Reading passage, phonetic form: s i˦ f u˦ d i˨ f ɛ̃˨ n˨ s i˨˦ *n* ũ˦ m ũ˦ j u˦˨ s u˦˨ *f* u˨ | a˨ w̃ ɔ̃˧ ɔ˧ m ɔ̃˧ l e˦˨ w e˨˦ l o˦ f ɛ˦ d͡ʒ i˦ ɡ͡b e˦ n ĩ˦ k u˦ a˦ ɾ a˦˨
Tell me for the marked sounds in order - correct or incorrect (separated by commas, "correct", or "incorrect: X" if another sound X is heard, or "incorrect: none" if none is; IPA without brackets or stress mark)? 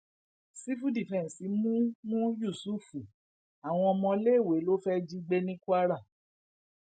incorrect: m, correct